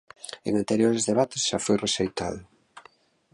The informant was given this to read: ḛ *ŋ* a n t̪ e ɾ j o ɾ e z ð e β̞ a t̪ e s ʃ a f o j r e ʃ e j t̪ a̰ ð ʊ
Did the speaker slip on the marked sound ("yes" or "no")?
no